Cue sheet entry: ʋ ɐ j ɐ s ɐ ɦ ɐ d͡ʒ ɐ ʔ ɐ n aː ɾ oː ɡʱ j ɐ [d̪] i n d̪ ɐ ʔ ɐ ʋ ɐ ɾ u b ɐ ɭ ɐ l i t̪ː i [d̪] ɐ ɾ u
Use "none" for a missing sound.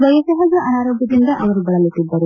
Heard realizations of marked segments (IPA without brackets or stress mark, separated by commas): d̪, d̪ː